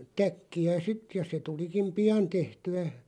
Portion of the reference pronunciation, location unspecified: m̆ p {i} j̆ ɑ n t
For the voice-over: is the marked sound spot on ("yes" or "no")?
yes